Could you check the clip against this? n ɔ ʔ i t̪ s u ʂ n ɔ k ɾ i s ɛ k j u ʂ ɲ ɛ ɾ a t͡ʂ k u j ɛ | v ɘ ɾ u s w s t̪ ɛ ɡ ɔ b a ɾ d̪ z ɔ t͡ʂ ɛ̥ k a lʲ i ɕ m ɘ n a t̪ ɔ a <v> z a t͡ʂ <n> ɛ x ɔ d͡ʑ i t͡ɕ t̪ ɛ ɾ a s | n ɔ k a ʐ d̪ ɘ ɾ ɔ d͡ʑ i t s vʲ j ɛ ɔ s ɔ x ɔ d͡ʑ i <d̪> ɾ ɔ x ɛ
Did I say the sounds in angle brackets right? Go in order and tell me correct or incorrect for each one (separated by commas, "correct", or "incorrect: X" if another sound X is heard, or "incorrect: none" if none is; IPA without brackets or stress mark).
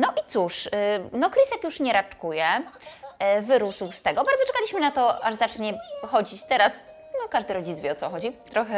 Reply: incorrect: ʐ, incorrect: ɲ, incorrect: t̪